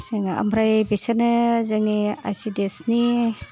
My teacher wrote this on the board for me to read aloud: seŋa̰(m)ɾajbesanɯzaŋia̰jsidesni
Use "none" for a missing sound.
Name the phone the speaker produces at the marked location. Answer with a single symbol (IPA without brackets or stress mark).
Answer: m